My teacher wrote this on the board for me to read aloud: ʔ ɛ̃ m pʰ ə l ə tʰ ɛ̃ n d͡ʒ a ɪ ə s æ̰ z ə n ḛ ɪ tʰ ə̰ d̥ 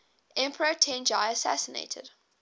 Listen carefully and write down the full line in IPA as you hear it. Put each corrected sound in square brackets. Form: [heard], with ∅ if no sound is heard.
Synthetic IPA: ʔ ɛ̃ m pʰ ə [ɹ] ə tʰ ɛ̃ n d͡ʒ a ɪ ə s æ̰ [s] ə n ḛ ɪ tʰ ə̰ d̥